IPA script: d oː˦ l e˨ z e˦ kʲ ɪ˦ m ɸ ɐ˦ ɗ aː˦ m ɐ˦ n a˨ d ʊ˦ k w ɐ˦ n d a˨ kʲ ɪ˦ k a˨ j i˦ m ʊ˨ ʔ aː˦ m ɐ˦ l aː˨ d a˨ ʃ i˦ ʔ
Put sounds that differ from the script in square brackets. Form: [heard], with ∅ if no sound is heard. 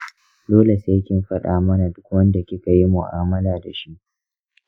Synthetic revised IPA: d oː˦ l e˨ [s] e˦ kʲ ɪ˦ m ɸ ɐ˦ ɗ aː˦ m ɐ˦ n a˨ d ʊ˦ k w ɐ˦ n d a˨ kʲ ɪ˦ k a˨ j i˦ m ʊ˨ ʔ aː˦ m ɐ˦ l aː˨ d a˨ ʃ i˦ ʔ